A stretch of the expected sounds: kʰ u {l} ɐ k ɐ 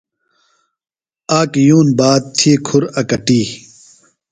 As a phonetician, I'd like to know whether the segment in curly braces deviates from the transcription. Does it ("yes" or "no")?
yes